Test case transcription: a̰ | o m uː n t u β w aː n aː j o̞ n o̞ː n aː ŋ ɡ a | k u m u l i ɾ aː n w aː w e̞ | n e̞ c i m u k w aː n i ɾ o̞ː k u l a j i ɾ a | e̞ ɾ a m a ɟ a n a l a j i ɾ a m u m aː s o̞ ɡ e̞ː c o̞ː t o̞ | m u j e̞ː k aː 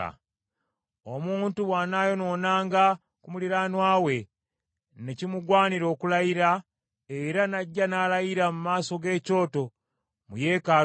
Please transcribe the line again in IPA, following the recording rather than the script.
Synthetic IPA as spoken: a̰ | o m uː n t u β w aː n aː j o̞ n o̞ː n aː ŋ ɡ a | k u m u l i ɾ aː n w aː w e̞ | n e̞ c i m u ɡ w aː n i ɾ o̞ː k u l a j i ɾ a | e̞ ɾ a n a ɟː a n a l a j i ɾ a m u m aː s o̞ ɡ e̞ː c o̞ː t o̞ | m u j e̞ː k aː